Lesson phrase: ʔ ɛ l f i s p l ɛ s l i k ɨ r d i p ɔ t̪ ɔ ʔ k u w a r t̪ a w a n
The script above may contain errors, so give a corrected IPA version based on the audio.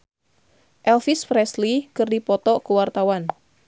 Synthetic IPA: ʔ ɛ l f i s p ɾ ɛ s l i k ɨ r d i p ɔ t̪ ɔ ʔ k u w a r t̪ a w a n